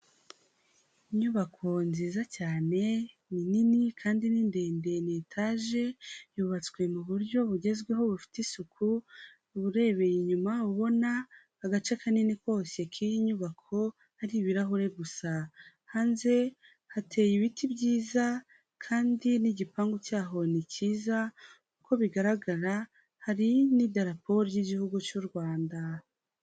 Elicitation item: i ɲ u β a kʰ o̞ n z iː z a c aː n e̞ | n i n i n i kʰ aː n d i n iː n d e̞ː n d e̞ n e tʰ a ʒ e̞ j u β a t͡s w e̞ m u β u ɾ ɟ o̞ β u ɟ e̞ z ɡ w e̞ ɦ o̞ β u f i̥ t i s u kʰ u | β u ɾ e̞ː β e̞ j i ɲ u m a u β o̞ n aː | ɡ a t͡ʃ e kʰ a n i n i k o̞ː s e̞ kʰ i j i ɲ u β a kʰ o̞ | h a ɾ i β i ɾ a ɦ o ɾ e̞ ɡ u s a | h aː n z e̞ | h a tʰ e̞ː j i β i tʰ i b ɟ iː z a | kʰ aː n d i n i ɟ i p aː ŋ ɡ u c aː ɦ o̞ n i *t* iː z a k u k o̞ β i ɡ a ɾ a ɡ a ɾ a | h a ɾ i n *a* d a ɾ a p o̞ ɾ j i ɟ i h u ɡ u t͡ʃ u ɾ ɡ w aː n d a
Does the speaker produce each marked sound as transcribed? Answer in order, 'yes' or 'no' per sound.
no, no

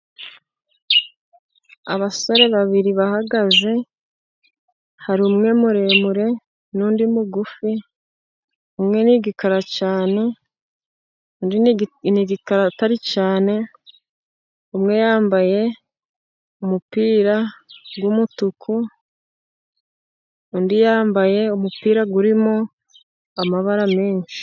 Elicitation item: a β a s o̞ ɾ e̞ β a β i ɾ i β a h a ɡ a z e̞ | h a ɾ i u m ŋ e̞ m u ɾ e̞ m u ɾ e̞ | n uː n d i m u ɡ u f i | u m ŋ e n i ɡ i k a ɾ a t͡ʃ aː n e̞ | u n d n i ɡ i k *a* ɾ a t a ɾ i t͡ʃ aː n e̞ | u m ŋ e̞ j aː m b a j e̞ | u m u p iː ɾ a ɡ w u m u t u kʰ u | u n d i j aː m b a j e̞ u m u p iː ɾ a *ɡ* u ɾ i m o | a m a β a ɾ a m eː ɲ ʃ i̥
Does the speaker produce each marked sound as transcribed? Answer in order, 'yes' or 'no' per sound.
yes, yes

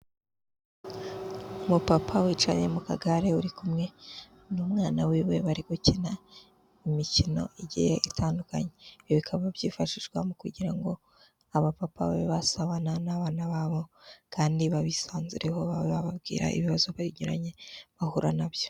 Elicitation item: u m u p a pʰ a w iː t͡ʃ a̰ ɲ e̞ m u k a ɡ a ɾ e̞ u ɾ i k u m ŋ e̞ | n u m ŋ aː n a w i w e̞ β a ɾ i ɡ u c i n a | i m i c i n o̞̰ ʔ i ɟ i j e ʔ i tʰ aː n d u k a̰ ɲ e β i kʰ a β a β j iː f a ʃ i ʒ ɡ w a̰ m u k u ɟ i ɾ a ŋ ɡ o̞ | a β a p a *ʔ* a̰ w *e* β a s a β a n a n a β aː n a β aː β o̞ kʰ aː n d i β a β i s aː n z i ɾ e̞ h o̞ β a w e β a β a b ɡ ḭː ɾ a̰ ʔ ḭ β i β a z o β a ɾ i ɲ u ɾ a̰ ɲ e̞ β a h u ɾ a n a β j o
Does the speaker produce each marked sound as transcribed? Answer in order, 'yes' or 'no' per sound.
no, yes

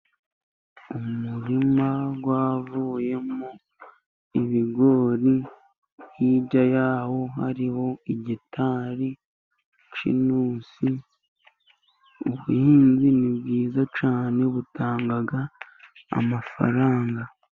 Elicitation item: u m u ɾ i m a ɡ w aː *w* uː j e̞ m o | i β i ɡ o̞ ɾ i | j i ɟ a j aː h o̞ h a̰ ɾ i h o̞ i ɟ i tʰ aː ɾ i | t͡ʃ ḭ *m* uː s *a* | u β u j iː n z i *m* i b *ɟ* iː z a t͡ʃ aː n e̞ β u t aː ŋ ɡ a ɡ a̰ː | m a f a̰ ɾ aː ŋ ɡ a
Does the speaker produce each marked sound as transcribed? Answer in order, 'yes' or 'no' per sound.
no, no, no, no, no

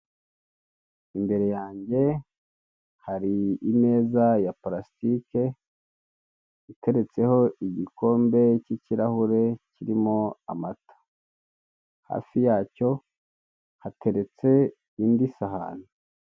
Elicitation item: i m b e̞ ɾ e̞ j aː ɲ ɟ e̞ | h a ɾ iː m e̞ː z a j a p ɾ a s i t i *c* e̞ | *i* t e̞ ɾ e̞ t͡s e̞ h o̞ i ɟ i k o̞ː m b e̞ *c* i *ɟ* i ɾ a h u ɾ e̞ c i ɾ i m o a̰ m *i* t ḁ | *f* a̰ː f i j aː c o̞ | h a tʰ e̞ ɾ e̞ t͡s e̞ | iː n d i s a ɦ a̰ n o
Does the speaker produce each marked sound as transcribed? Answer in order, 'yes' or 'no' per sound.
no, yes, yes, no, no, no

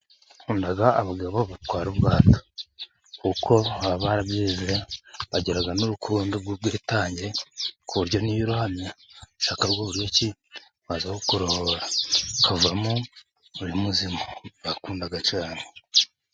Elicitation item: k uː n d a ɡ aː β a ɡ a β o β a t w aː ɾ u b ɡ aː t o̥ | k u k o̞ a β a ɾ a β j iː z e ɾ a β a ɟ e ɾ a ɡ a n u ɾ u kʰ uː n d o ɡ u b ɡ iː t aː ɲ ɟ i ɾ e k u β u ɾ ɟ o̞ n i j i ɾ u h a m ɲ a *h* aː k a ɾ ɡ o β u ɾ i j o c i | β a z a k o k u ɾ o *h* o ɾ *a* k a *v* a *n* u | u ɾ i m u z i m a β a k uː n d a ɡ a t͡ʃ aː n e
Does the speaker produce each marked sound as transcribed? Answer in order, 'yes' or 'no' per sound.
no, yes, yes, yes, no

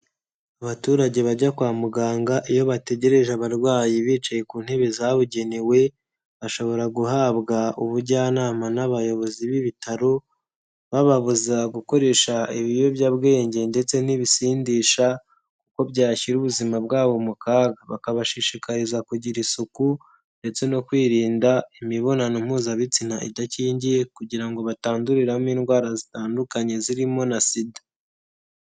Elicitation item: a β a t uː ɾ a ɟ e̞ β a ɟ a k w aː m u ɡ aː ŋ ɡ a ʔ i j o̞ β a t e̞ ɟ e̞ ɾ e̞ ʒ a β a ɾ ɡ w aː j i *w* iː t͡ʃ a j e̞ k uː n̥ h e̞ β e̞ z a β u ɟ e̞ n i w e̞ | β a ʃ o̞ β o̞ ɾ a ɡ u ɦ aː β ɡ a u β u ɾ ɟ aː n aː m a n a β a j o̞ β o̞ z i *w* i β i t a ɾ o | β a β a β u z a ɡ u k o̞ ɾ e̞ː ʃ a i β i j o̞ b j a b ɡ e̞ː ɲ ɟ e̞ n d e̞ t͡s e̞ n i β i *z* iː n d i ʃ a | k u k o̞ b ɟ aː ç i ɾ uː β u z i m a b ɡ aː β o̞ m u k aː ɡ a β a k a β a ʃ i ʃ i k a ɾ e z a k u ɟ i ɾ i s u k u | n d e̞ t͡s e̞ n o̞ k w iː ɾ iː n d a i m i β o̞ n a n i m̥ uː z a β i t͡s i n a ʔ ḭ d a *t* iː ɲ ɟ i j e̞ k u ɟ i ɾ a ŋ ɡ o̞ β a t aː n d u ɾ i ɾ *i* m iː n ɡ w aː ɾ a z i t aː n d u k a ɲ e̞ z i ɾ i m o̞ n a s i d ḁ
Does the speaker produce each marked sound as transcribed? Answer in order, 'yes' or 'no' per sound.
no, no, no, no, no

